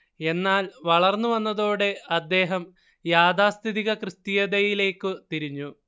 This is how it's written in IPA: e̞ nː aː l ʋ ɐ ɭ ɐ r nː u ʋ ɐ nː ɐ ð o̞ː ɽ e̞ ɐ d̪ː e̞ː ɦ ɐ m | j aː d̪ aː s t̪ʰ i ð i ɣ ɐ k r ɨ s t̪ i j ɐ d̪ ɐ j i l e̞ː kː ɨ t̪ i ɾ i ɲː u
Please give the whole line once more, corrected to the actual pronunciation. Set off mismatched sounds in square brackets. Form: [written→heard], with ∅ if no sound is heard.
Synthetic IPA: e̞ nː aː l ʋ ɐ ɭ ɐ r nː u ʋ ɐ nː ɐ ð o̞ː ɽ e̞ ɐ d̪ː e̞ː ɦ ɐ m | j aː d̪ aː s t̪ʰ i ð i ɣ ɐ k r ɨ s t̪ i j ɐ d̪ ɐ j i l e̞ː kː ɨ t̪ i ɾ i ɲː u

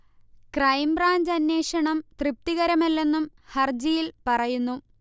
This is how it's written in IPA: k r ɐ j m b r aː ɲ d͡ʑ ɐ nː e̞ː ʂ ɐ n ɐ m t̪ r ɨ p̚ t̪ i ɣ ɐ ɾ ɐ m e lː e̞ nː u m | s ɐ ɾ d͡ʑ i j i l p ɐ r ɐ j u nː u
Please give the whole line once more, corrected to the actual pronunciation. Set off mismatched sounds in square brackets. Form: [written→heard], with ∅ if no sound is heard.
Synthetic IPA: k r ɐ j m b r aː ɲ d͡ʑ ɐ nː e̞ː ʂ ɐ [n→ɳ] ɐ m t̪ r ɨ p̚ t̪ i ɣ ɐ ɾ ɐ m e lː e̞ nː u m | [s→h] ɐ [ɾ→r] d͡ʑ i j i l p ɐ r ɐ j u nː u

